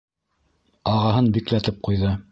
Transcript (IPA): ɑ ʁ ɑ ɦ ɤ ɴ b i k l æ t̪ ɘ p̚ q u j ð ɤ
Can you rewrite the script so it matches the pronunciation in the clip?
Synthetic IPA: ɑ ʁ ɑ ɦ ɤ n b i k l æ t̪ ɘ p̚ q u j ð ɤ